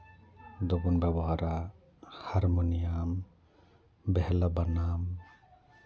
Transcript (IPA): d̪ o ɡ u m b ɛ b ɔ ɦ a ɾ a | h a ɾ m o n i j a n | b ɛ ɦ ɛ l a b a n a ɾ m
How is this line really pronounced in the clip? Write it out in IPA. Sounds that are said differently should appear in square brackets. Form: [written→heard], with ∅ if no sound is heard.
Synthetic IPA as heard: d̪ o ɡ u [m→n] b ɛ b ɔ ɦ a ɾ a | h a ɾ m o n i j a [n→m] | b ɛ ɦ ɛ l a b a n a [ɾ→∅] m